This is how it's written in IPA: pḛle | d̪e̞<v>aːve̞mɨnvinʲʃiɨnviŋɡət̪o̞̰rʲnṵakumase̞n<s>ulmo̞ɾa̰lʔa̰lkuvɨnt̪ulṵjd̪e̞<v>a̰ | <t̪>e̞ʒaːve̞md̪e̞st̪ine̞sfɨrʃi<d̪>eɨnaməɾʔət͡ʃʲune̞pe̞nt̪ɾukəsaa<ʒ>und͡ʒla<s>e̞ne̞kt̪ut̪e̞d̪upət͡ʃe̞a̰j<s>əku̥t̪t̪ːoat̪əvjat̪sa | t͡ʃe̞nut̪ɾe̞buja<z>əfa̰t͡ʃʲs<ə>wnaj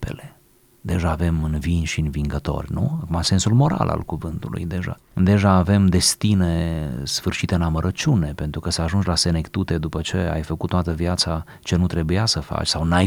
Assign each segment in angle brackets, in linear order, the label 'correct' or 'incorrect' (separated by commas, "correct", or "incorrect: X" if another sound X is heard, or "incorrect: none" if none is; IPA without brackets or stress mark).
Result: incorrect: ʒ, correct, incorrect: ʒ, incorrect: d̪, incorrect: t̪, correct, correct, incorrect: f, incorrect: s, incorrect: a